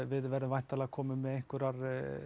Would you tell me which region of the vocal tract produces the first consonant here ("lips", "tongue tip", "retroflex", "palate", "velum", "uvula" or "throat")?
lips